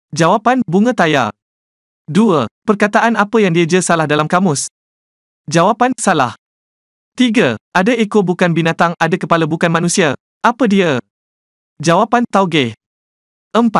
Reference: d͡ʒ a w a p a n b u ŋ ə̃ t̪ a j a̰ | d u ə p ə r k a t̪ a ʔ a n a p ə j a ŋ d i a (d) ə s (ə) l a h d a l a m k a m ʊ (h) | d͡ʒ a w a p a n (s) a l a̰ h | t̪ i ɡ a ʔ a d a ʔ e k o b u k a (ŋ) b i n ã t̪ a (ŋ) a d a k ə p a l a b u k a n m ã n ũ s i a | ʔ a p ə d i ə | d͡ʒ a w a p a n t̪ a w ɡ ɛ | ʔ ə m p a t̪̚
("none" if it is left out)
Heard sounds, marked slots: d͡ʒ, a, s, s, n, ŋ

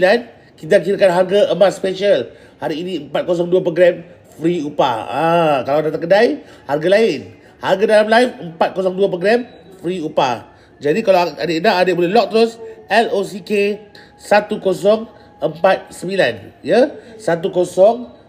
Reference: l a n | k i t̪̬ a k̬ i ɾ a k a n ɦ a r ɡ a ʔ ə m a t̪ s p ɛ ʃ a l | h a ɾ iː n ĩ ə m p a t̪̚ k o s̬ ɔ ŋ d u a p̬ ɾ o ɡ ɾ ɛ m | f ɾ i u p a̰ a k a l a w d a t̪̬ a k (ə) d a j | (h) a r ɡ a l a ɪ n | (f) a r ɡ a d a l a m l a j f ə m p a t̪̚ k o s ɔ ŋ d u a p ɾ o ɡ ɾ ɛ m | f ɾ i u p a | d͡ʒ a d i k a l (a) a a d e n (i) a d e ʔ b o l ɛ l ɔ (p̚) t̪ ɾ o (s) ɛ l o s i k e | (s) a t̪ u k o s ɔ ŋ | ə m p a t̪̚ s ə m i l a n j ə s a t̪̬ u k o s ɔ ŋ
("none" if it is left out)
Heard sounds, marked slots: ə, h, h, a, a, k̚, s, s

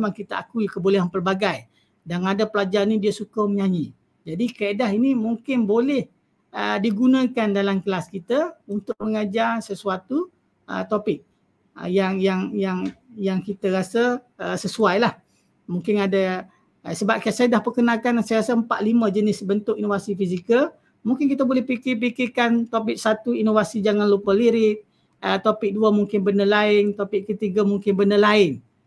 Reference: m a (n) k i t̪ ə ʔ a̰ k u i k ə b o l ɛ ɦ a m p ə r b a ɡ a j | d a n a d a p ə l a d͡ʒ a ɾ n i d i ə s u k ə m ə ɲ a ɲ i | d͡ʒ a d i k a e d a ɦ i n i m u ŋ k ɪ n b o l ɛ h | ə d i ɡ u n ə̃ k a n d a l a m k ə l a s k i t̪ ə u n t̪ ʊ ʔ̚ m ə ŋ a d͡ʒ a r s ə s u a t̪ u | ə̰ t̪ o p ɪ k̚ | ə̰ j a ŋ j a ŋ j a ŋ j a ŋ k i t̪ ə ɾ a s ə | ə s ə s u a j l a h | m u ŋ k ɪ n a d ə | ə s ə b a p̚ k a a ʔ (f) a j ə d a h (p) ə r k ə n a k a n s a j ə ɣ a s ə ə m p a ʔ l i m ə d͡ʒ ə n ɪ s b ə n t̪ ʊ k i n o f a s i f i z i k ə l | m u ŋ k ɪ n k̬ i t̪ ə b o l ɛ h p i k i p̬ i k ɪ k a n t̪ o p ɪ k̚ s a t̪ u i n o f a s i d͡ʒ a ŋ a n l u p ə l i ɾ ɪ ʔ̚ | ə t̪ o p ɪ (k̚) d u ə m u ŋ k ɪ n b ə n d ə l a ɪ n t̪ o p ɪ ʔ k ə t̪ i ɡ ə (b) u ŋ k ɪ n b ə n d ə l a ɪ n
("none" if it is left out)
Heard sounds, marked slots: ŋ, s, p, k̚, m

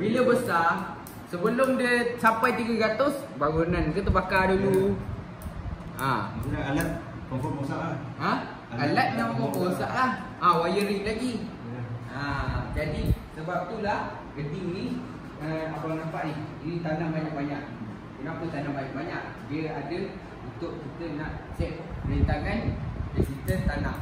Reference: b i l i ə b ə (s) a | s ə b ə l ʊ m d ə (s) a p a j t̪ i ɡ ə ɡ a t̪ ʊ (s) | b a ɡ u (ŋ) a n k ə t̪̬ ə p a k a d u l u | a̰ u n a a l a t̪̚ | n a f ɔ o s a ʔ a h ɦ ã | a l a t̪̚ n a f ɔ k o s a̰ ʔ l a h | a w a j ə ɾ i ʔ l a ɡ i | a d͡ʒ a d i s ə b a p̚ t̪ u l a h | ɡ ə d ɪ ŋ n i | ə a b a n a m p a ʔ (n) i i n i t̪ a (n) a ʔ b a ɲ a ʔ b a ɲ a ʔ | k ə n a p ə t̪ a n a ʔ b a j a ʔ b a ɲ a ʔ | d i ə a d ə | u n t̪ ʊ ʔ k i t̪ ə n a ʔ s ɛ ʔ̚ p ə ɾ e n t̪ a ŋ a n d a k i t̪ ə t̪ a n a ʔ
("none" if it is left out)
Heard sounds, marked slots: s, s, s, n, n, n

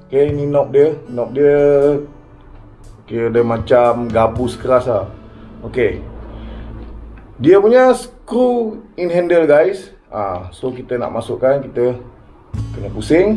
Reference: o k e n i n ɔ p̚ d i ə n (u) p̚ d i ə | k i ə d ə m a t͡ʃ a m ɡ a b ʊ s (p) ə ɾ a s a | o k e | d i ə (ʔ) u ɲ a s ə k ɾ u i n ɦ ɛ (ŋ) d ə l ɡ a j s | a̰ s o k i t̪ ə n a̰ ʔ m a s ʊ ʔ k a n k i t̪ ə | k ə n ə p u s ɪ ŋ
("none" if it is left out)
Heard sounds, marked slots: ɔ, k, p, n

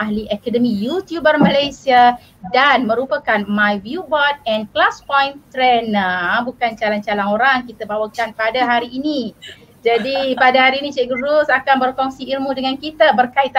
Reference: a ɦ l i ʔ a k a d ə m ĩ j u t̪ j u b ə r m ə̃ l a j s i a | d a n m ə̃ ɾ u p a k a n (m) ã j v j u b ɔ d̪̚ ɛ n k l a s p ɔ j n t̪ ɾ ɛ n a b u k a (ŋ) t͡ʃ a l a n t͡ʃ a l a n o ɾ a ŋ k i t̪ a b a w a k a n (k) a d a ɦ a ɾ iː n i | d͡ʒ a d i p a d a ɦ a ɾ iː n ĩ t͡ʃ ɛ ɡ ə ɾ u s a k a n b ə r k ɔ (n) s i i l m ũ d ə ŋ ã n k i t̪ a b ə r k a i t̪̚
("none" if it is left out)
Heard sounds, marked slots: m, n, p, ŋ

